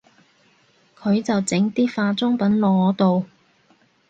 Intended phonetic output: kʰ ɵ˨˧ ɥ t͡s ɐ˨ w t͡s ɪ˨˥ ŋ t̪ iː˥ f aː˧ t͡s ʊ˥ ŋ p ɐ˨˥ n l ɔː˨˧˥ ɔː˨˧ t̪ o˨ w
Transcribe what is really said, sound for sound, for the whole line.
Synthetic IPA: kʰ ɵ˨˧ ɥ t͡s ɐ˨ w t͡s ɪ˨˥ ŋ t̪ iː˥ f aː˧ t͡s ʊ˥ ŋ p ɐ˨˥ n l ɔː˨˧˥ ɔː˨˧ t̪ o˨ w